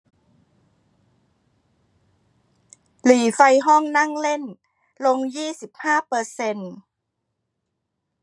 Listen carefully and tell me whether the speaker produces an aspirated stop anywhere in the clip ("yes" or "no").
no